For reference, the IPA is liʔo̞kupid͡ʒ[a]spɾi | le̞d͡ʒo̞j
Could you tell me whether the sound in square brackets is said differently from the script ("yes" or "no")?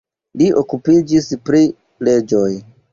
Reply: yes